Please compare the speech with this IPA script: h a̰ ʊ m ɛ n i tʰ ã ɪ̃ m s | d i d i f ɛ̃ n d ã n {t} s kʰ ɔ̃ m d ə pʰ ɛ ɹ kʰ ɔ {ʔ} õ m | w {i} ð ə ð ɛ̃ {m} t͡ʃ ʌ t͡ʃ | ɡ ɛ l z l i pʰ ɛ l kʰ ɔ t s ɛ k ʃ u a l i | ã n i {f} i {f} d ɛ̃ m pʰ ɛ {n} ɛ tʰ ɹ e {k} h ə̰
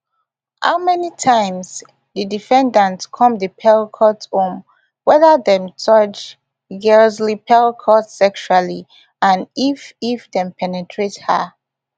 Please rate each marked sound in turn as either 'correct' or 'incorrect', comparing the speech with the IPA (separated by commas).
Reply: correct, incorrect, incorrect, correct, correct, correct, correct, incorrect